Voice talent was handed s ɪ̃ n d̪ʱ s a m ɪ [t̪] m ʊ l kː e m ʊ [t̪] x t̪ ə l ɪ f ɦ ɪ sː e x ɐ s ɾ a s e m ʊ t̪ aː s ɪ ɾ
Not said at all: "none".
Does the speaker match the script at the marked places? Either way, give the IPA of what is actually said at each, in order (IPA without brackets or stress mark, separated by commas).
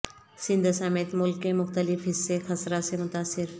t̪, none